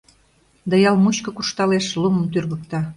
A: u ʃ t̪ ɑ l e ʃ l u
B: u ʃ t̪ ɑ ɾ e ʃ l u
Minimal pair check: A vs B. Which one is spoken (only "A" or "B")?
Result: A